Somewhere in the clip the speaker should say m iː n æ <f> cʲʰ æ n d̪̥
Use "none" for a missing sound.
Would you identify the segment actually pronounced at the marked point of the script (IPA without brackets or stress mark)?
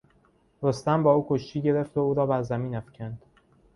f